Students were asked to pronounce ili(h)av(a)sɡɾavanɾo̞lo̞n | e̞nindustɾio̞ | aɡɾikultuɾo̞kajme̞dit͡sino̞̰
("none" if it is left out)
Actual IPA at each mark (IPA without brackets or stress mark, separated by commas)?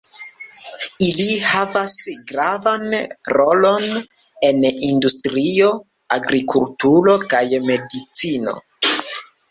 h, a